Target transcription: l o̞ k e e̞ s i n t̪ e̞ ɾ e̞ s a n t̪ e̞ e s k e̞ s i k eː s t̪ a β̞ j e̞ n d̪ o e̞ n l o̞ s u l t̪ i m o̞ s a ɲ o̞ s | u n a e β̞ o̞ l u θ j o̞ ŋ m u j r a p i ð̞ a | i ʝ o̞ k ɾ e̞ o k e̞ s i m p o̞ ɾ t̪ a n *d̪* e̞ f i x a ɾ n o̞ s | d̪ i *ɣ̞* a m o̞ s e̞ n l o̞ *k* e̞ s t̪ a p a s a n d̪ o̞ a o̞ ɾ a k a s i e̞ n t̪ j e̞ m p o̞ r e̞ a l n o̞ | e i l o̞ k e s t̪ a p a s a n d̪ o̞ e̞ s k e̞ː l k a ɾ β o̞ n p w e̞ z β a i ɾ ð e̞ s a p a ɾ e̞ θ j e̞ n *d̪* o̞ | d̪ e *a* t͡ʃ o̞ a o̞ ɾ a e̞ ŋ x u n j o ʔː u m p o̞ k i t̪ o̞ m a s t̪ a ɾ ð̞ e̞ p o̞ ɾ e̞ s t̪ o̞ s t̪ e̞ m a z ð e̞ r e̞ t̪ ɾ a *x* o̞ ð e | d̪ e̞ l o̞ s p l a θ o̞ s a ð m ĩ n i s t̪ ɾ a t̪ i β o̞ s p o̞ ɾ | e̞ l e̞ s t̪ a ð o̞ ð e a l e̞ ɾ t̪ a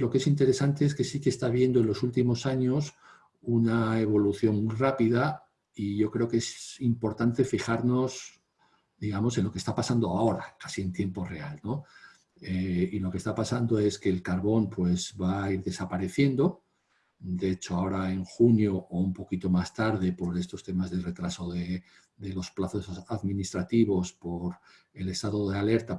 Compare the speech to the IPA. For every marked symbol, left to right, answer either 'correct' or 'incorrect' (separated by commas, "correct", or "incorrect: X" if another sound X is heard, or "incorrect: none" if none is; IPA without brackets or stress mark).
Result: incorrect: t̪, correct, correct, correct, incorrect: e, incorrect: s